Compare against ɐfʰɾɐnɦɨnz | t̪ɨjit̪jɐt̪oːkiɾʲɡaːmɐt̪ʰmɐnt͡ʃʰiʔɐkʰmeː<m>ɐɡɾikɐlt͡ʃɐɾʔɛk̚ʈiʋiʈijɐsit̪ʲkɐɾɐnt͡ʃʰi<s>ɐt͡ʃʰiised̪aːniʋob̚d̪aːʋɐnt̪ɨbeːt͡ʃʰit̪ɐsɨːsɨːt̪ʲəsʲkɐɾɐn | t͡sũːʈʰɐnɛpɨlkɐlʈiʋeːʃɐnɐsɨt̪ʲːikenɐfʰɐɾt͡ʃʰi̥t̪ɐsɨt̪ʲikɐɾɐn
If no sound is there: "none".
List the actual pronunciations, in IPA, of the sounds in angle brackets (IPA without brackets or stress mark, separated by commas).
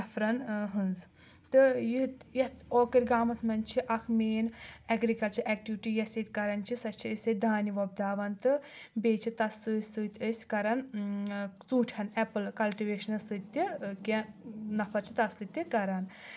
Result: n, s